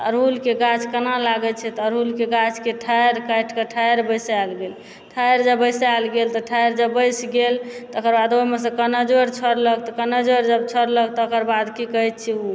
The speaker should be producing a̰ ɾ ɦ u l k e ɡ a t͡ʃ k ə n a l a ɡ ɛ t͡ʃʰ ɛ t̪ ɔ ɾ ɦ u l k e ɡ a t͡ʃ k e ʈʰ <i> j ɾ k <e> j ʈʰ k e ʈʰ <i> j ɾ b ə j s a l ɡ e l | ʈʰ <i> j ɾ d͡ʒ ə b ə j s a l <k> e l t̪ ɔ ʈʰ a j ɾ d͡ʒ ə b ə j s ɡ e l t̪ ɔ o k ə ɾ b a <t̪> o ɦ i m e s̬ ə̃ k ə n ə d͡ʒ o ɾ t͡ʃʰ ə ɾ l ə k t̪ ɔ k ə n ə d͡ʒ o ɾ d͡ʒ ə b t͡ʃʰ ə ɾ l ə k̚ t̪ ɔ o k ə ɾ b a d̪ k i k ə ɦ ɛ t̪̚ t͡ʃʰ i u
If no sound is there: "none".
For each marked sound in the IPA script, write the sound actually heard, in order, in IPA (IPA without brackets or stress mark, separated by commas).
a, a, a, a, ɡ, d̪